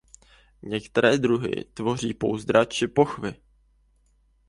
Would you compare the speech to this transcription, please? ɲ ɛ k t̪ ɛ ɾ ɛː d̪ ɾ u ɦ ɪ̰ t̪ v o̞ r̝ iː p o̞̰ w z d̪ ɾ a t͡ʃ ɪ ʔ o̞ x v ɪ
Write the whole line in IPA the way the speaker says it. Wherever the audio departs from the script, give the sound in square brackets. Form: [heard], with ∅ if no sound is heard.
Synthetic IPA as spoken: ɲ ɛ k t̪ ɛ ɾ ɛː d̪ ɾ u ɦ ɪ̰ t̪ v o̞ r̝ iː p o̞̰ w z d̪ ɾ a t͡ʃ ɪ [p] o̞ x v ɪ